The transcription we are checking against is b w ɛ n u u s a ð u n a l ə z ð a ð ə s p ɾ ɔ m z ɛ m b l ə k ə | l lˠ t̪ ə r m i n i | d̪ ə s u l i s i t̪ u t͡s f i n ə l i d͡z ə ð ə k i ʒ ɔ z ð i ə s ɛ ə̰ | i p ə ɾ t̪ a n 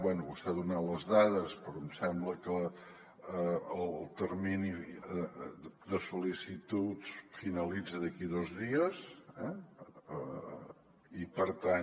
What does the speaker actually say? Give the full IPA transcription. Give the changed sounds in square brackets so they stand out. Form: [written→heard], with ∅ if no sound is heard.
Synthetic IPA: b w ɛ n u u s a ð u n a l ə z ð a ð ə s p ɾ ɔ m [z→s] ɛ m b l ə k ə | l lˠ t̪ ə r m i n i | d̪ ə s u l i s i t̪ u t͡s f i n ə l i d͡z ə ð ə k i [ʒ→ð] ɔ z ð i ə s ɛ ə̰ | i p ə ɾ t̪ a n